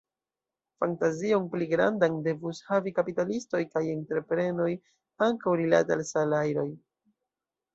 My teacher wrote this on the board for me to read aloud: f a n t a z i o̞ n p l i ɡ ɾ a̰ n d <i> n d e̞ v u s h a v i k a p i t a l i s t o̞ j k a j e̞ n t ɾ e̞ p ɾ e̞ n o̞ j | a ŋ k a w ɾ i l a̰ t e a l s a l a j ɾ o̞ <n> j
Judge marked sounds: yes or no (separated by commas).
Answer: no, no